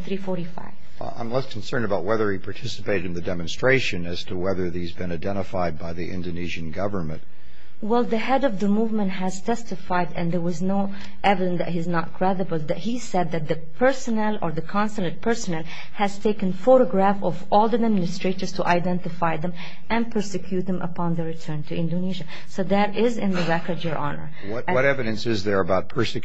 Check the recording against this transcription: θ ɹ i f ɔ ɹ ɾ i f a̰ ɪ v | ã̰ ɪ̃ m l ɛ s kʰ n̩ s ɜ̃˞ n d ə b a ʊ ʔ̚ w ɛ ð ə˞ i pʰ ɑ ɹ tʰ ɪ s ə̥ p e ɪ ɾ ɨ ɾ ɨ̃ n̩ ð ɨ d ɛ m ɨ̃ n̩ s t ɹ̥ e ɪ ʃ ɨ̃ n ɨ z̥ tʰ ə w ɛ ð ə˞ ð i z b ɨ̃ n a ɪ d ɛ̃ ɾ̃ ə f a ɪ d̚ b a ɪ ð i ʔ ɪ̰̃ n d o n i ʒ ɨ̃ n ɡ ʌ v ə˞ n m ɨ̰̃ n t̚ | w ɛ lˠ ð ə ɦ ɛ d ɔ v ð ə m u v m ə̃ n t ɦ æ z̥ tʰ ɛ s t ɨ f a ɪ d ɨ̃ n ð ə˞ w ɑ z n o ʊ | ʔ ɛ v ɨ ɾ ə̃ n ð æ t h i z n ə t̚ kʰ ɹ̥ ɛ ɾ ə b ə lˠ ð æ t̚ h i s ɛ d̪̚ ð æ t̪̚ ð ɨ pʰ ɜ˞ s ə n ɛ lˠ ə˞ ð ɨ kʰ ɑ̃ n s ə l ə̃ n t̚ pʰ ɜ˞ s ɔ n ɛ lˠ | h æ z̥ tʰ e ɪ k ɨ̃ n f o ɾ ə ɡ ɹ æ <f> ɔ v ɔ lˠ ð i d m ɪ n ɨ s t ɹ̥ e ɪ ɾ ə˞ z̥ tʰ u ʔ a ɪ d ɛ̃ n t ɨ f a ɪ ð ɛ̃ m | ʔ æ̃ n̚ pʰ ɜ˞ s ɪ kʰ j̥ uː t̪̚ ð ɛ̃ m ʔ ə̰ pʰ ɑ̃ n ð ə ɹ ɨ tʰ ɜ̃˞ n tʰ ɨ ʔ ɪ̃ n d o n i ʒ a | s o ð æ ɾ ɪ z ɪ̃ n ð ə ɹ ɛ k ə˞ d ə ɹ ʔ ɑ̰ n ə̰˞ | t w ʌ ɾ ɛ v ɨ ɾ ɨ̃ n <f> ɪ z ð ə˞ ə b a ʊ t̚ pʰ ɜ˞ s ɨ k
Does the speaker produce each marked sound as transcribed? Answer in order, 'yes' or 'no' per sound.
yes, no

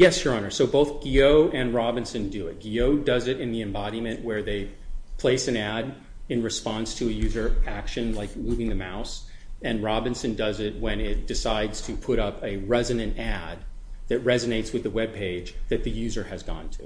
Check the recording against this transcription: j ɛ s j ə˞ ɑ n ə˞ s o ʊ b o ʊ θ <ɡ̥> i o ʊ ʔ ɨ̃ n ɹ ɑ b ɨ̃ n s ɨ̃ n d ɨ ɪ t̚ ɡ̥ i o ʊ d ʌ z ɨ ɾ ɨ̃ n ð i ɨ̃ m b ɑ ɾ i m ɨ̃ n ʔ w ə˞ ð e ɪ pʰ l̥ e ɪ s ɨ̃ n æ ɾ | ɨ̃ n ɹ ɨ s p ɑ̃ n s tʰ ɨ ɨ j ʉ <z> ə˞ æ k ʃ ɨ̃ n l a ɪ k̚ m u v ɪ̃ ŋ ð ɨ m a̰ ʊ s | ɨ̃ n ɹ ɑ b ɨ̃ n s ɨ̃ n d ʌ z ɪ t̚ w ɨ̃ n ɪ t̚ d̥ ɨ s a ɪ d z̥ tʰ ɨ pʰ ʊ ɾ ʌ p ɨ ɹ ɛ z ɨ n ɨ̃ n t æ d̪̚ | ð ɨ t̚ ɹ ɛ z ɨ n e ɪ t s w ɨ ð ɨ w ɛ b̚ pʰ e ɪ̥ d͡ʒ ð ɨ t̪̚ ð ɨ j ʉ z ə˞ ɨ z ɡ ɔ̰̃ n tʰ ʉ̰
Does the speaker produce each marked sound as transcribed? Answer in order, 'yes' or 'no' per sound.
yes, yes

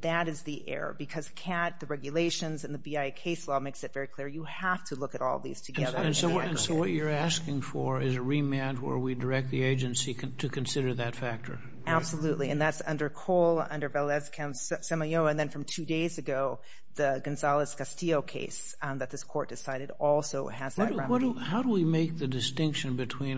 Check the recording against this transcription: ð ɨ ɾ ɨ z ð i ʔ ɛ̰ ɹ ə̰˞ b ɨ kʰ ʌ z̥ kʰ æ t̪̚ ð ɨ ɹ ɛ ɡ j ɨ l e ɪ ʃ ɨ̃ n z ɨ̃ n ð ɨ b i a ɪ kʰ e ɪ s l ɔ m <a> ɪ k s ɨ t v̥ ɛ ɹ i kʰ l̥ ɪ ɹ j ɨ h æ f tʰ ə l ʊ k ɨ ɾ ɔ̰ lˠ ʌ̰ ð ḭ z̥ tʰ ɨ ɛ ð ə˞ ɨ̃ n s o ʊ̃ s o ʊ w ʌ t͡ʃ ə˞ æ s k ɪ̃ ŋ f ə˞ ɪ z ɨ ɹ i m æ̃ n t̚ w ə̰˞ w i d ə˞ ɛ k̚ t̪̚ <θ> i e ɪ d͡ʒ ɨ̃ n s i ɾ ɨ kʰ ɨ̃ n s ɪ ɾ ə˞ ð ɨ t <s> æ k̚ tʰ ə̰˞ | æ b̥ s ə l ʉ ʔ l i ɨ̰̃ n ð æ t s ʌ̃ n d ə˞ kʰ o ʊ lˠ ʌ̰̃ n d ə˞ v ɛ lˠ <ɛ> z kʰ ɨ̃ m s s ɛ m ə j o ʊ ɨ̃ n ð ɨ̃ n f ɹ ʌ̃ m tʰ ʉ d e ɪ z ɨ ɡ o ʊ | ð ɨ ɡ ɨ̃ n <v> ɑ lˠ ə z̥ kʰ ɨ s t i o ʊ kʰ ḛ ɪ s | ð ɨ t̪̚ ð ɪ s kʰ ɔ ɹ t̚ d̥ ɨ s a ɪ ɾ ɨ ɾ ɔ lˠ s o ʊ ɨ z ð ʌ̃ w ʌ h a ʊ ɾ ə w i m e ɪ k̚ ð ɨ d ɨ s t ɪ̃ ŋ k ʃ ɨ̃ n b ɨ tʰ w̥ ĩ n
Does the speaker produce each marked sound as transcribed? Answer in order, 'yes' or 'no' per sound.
no, no, no, yes, no

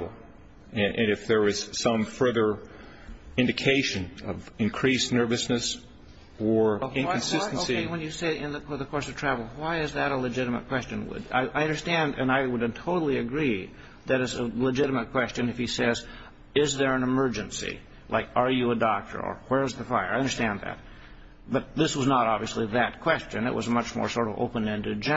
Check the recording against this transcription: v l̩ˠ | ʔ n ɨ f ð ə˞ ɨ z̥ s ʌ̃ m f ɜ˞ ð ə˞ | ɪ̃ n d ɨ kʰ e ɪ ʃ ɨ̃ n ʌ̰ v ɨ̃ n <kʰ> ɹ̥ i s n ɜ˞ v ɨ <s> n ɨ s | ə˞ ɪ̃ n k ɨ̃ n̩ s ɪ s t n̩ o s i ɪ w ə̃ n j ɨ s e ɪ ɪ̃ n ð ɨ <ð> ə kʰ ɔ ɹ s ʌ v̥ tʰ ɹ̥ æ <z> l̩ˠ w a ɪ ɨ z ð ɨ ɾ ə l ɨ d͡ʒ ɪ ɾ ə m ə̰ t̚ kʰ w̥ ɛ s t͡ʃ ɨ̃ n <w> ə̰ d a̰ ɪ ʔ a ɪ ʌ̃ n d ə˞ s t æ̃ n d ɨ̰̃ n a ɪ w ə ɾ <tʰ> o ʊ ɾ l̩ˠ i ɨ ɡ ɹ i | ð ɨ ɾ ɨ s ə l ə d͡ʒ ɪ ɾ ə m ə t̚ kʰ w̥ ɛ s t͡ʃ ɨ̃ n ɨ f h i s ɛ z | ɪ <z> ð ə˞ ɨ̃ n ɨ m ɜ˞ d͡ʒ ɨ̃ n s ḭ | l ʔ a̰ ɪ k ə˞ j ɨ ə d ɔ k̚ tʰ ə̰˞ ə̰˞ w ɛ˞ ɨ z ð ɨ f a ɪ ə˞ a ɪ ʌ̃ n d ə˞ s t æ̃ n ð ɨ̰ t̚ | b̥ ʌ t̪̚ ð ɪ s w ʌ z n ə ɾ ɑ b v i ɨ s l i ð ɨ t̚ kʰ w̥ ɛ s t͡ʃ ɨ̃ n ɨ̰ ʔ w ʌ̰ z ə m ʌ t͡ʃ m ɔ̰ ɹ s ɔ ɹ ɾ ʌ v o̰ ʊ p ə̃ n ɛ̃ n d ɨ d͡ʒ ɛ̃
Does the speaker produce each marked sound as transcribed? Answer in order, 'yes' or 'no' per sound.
yes, yes, yes, no, yes, yes, yes

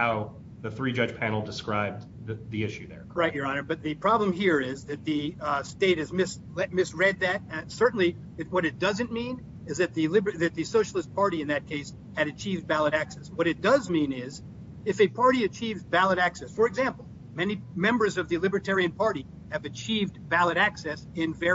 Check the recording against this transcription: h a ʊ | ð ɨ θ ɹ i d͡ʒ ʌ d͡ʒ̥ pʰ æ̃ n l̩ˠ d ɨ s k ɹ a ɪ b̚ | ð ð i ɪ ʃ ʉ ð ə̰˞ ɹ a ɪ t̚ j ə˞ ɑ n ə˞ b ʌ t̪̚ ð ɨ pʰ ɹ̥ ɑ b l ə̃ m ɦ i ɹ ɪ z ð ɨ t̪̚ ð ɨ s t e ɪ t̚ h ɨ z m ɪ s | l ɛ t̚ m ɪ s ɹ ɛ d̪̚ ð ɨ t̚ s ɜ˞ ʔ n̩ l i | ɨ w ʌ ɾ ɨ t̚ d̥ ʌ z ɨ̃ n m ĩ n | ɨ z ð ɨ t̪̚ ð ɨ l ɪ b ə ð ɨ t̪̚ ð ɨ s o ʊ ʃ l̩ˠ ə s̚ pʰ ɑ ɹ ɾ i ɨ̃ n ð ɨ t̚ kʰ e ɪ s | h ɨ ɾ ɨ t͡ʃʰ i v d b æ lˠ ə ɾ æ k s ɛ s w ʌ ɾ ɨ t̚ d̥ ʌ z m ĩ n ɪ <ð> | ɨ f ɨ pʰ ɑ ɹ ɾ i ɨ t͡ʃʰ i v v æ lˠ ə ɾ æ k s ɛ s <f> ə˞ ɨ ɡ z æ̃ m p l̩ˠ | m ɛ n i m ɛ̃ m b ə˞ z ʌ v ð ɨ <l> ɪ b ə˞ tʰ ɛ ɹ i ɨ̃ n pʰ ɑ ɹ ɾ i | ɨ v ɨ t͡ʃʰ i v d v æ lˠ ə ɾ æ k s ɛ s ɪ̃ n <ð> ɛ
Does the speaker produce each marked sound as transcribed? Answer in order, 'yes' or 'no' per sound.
no, yes, yes, no

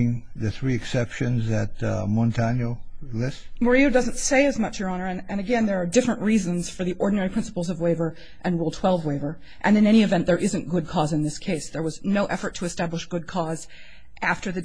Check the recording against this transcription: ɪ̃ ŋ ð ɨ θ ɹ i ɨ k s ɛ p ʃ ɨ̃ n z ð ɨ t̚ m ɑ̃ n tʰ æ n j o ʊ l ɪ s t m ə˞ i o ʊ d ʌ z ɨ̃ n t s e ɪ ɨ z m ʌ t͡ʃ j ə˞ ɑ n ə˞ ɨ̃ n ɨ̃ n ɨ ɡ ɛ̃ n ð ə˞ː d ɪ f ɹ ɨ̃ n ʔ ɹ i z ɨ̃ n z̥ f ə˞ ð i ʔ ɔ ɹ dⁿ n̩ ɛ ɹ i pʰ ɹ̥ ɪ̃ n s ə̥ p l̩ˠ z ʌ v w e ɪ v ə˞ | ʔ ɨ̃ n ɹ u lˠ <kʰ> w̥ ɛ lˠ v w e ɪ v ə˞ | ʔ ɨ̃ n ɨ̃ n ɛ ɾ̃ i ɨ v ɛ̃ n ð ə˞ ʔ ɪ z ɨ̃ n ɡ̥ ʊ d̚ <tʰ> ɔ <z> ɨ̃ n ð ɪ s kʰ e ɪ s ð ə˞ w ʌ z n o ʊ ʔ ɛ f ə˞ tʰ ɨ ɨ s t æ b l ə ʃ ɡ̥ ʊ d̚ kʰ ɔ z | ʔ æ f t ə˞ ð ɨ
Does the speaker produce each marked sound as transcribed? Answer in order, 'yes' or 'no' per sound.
no, no, yes

